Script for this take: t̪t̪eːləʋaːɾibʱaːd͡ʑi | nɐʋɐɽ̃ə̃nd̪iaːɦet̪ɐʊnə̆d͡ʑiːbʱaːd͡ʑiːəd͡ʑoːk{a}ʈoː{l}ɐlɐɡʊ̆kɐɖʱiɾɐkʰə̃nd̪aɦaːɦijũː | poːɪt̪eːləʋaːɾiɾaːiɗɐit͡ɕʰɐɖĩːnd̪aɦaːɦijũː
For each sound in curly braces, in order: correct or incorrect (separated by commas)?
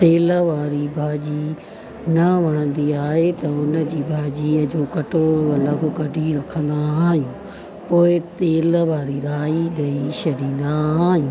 incorrect, incorrect